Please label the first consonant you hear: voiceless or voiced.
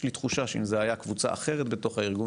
voiced